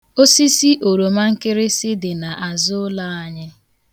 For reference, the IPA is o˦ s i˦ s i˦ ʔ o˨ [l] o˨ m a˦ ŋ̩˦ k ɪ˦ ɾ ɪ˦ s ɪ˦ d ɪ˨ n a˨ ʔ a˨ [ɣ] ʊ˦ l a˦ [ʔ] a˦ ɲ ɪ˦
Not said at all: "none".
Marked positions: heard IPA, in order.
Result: ɾ, z, none

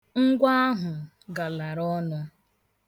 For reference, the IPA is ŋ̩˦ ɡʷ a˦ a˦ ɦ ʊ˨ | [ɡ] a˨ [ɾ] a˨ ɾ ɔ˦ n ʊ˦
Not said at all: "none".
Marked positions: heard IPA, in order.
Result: ɡ, l

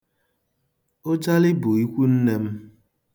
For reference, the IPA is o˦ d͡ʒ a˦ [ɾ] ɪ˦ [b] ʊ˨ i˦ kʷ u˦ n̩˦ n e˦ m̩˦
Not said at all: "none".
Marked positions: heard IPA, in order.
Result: l, b

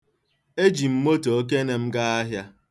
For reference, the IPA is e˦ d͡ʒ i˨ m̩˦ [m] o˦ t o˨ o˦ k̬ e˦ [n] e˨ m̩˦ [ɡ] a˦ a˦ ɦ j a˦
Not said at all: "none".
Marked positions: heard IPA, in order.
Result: m, n, ɡ

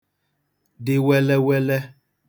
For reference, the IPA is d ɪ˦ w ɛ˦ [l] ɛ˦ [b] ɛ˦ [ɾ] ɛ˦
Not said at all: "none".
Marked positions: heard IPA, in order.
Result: l, w, l

